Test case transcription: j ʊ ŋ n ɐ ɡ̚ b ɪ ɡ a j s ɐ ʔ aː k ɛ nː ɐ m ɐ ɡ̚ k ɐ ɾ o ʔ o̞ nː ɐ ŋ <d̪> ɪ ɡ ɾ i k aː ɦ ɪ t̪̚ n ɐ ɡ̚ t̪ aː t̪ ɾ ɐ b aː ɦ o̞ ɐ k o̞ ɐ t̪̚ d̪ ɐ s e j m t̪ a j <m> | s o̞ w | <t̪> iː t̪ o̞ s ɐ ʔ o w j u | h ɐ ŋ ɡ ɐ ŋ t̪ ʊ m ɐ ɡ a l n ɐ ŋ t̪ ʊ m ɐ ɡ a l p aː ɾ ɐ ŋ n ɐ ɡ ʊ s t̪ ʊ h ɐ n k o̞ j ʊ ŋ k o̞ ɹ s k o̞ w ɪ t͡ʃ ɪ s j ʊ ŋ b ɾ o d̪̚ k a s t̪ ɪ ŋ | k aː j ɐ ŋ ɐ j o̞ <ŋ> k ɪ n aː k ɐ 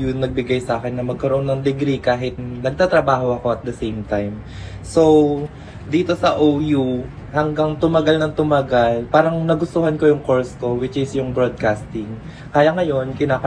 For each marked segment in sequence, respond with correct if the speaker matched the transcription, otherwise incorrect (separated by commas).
correct, correct, incorrect, incorrect